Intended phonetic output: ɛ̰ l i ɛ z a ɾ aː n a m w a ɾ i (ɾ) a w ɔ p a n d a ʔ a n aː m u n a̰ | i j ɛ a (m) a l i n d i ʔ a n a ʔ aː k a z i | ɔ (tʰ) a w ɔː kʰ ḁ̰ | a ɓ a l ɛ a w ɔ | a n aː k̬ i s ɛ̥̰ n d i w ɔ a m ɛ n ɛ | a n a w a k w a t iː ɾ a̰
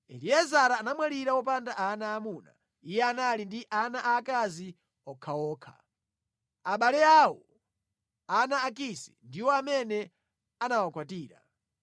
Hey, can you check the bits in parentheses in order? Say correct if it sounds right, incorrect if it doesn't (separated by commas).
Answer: correct, incorrect, incorrect